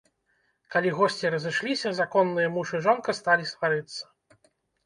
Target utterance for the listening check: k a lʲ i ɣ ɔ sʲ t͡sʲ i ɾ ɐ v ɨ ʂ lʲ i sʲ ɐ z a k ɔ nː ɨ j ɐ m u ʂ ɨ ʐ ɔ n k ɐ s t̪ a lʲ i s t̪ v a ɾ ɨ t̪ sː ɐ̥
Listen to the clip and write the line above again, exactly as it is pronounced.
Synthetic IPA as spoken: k a lʲ i ɣ ɔ sʲ t͡sʲ i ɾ ɐ z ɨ ʂ lʲ i sʲ ɐ z a k ɔ nː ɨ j ɐ m u ʂ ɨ ʐ ɔ n k ɐ s t̪ a lʲ i s t̪ v a ɾ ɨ t̪ sː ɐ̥